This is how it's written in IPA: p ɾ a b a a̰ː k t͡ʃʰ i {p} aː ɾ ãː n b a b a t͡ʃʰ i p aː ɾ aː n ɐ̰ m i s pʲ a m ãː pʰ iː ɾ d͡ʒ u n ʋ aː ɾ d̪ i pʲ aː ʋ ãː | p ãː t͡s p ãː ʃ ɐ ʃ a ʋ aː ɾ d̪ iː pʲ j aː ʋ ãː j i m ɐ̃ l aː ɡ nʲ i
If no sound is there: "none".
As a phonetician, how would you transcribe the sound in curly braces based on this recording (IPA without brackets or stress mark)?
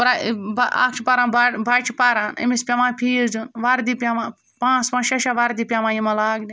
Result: p